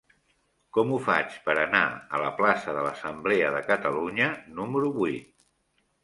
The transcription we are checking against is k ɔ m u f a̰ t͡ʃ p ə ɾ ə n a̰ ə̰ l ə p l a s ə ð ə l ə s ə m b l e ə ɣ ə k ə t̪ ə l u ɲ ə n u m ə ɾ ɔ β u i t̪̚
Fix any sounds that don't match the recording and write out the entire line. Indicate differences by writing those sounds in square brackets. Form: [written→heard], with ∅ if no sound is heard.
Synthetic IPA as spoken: k ɔ m u f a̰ t͡ʃ p ə ɾ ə n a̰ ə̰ l ə p l a s ə ð ə l ə s ə m b l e ə [ɣ→ð] ə k ə t̪ ə l u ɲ ə n u m ə ɾ [ɔ→u] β u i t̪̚